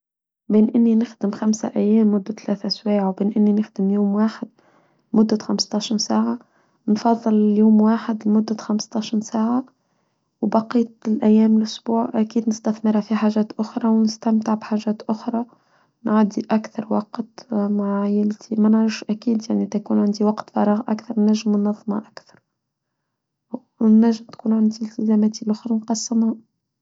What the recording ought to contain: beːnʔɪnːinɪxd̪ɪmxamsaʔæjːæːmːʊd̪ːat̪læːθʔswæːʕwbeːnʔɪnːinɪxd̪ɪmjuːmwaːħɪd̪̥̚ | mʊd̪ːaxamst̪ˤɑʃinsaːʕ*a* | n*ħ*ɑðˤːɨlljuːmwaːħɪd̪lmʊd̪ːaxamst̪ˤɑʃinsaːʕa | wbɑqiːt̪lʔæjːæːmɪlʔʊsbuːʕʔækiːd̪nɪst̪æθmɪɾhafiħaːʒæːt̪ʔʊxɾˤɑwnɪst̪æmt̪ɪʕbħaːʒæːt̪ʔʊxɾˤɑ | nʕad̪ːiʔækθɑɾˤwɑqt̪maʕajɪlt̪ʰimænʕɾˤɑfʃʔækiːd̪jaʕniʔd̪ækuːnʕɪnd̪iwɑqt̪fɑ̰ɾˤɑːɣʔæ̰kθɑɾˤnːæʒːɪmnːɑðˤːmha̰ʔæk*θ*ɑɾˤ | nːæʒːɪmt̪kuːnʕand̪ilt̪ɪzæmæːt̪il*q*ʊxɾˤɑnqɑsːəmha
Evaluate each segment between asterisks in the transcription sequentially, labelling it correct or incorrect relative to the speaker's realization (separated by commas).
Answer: correct, incorrect, correct, incorrect